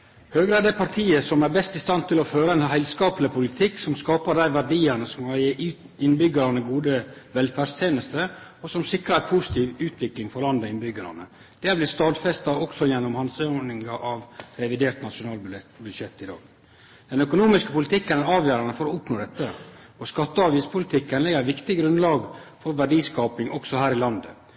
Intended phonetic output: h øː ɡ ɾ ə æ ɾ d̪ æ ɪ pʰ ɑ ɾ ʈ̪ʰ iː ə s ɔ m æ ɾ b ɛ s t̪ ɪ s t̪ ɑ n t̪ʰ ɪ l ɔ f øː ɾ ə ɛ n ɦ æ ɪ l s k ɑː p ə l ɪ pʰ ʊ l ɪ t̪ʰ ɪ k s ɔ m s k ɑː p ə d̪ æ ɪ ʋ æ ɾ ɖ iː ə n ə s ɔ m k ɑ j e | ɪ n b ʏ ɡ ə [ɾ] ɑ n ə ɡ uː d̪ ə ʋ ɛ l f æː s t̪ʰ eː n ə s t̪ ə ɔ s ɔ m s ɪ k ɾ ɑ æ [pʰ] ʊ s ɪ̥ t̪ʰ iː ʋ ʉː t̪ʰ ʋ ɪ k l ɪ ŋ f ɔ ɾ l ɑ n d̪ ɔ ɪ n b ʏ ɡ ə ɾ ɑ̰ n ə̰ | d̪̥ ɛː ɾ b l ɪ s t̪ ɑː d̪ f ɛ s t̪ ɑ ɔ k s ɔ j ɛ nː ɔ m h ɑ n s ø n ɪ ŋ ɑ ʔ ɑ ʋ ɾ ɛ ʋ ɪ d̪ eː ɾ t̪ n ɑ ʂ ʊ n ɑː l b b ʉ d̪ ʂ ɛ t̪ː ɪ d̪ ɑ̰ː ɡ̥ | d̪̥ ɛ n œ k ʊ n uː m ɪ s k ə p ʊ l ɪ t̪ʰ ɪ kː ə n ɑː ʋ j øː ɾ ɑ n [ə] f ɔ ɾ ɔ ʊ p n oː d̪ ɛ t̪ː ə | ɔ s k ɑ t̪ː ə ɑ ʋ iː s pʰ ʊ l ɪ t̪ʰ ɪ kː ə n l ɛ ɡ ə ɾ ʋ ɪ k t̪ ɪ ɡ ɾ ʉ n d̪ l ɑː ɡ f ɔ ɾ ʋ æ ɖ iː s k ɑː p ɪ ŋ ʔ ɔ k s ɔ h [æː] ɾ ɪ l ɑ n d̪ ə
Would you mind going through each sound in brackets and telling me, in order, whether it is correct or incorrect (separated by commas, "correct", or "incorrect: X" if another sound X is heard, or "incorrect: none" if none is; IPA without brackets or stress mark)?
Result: correct, correct, correct, correct